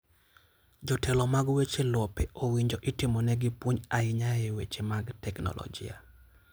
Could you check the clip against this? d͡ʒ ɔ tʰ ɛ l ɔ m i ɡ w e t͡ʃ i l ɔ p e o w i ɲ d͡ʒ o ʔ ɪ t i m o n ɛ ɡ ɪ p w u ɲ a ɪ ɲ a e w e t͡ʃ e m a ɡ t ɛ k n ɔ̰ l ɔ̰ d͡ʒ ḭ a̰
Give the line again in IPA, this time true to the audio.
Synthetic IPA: d͡ʒ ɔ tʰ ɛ l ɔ m a ɡ w e t͡ʃ e l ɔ p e o w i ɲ d͡ʒ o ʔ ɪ t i m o n ɛ ɡ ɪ p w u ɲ a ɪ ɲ a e w e t͡ʃ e m a ɡ t ɛ k n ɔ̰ l ɔ̰ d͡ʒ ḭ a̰